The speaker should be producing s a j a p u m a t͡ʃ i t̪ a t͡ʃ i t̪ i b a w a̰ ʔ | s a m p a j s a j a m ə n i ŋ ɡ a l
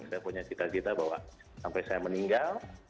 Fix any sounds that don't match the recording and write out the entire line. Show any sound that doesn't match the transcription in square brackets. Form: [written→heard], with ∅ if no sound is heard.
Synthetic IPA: s a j a p u [m→ɲ] a t͡ʃ i t̪ a t͡ʃ i t̪ [i→a] b a w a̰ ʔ | s a m p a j s a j a m ə n i ŋ ɡ a l